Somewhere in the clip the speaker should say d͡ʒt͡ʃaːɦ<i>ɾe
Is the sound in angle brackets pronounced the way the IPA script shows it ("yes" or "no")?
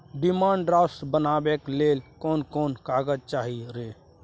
yes